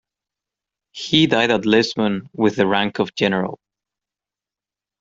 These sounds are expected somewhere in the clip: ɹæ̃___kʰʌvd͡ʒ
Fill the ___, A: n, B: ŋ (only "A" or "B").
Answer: B